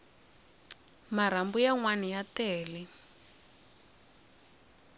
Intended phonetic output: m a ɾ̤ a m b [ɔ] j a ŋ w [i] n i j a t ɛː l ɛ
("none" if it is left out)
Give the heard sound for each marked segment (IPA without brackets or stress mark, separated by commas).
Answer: u, a